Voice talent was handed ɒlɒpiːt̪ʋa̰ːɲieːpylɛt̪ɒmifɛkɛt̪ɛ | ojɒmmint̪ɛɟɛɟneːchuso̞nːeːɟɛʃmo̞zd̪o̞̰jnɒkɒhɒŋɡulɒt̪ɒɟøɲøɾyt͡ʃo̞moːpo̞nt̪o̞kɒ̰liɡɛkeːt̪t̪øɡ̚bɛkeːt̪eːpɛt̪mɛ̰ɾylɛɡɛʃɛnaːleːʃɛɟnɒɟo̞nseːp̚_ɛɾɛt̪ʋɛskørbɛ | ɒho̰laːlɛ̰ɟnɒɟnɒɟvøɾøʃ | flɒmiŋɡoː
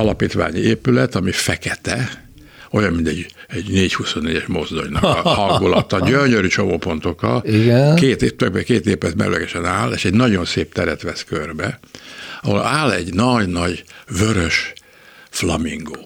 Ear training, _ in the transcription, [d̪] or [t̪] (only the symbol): t̪